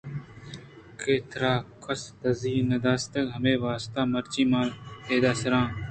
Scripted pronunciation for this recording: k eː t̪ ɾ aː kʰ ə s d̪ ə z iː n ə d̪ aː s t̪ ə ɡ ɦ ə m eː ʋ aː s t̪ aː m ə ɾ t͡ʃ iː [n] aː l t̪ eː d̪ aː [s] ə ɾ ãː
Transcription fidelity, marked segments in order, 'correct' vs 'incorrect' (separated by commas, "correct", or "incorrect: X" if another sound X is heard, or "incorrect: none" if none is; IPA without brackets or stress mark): incorrect: m, correct